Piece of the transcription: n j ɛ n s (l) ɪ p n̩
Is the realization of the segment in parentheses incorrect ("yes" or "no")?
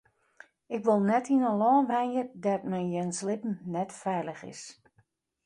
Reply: no